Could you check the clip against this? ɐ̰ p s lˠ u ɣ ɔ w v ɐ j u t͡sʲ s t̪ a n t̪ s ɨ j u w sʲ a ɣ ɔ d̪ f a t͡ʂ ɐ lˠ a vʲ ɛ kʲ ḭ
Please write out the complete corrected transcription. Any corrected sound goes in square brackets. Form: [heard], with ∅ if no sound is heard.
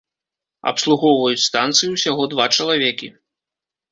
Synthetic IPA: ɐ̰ p s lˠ u ɣ ɔ w v ɐ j u t͡sʲ s t̪ a n t̪ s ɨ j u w sʲ a ɣ ɔ d̪ [v] a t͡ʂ ɐ lˠ a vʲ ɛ kʲ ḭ